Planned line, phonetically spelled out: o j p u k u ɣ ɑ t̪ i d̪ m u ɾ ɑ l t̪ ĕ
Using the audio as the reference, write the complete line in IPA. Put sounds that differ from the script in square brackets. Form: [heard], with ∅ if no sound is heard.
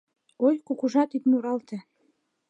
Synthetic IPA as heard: o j [k] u k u [ʒ] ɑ t̪ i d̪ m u ɾ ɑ l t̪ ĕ

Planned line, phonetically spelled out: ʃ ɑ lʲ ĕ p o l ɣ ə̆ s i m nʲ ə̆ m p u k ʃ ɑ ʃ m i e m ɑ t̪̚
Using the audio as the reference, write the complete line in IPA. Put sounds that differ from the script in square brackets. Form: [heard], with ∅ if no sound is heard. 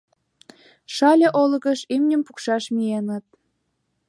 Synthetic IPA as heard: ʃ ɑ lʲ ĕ [ʔ] o l ɣ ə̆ [ʃ] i m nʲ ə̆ m p u k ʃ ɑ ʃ m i e [n] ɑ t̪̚

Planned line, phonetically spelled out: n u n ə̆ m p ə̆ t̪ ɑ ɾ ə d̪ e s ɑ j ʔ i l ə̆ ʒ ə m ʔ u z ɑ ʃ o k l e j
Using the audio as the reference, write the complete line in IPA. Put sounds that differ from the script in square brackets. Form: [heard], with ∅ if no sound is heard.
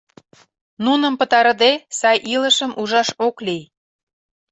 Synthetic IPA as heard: n u n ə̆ m p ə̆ t̪ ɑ ɾ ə d̪ e s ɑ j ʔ i l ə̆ [ʃ] ə m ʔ u [ʒ] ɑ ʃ o k l [i] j

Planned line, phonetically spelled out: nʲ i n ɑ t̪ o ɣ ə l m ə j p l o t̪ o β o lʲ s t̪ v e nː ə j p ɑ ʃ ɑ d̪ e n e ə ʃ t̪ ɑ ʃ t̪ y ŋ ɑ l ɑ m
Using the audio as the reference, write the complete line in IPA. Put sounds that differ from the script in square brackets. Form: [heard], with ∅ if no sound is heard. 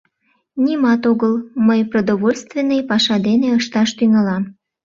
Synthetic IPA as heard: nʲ i [m] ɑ t̪ o ɣ ə l m ə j p [r] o [d̪] o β o lʲ s t̪ v e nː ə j p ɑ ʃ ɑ d̪ e n e ə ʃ t̪ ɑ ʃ t̪ y ŋ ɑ l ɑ m

